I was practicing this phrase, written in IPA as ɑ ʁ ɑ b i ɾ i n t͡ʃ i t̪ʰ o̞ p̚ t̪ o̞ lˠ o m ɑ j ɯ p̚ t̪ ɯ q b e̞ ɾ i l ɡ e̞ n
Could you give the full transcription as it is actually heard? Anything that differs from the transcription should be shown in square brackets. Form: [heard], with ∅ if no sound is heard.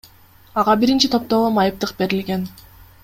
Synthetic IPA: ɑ ʁ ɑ b i ɾ i n t͡ʃ i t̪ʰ o̞ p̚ t̪ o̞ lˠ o m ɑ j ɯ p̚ t̪ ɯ q b e̞ ɾ i l ɡ e̞ n